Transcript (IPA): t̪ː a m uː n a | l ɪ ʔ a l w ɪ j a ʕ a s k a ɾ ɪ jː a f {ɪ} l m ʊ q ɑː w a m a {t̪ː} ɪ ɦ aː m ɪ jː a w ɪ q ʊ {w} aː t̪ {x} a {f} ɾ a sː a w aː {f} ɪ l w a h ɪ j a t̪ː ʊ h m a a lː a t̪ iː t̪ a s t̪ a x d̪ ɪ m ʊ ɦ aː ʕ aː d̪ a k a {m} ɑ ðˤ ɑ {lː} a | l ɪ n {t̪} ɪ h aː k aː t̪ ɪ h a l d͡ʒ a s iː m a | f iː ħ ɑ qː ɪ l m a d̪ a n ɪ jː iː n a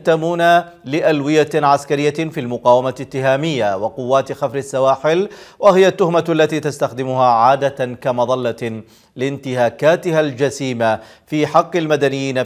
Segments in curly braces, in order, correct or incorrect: incorrect: i, correct, incorrect: wː, correct, correct, incorrect: ħ, correct, correct, correct

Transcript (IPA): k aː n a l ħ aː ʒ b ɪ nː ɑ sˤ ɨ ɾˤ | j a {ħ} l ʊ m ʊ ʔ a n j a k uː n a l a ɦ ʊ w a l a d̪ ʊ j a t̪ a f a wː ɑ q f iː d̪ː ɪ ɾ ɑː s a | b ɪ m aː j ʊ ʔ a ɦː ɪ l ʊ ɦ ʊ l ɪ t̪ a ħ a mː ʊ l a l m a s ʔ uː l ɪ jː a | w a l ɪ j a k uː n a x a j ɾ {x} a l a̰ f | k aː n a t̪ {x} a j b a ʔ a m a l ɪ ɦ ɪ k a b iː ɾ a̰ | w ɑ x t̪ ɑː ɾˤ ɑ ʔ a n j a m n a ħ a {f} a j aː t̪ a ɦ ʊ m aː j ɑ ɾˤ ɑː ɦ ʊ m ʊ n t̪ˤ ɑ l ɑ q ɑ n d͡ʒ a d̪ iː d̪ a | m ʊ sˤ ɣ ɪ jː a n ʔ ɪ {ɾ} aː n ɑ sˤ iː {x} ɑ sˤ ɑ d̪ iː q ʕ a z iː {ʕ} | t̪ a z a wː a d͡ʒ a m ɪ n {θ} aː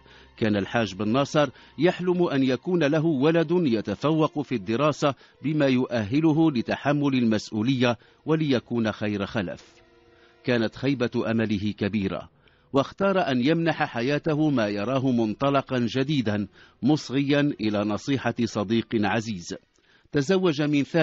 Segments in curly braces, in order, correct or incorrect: correct, correct, correct, incorrect: ħ, incorrect: l, incorrect: ħ, incorrect: z, correct

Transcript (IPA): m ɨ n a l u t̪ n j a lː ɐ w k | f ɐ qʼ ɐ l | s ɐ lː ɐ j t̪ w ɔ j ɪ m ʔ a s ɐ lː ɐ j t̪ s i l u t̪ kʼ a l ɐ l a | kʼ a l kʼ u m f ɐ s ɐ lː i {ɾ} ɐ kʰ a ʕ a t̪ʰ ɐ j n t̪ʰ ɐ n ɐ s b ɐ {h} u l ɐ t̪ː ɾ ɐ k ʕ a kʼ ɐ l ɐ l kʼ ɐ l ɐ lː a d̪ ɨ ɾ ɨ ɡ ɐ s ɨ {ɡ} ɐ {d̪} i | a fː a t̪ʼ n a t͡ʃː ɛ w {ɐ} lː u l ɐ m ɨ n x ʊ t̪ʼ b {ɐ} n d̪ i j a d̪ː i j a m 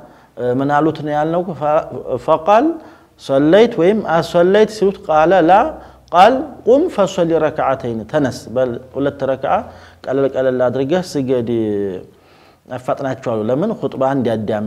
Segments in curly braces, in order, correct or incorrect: correct, correct, correct, correct, incorrect: a, incorrect: a

